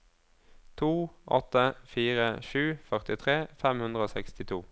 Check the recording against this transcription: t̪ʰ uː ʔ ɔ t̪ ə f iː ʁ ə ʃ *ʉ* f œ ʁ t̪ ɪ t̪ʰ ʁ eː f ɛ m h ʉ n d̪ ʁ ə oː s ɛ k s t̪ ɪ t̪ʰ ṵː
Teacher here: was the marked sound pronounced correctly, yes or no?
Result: no